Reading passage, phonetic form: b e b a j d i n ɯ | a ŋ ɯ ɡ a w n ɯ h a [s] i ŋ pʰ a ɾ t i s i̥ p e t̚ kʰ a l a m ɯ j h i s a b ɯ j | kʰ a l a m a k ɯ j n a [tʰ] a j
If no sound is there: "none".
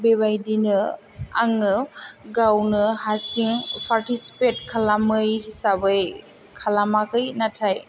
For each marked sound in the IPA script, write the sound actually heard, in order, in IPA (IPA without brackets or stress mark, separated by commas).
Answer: s, tʰ